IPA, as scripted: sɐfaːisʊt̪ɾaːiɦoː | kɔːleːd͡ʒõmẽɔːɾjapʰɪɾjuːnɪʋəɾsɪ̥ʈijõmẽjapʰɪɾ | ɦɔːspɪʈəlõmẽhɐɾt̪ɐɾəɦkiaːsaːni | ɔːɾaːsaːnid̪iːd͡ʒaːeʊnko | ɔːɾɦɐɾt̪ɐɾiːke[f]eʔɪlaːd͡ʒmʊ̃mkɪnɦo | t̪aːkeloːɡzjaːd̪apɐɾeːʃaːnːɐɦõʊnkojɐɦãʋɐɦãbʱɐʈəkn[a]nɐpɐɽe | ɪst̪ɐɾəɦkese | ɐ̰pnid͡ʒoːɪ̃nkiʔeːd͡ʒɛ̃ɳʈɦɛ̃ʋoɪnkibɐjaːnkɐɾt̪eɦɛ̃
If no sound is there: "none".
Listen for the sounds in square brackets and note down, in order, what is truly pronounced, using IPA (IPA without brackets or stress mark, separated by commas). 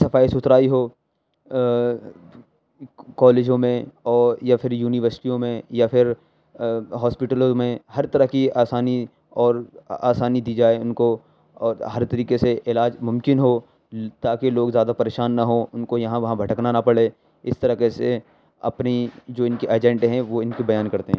s, a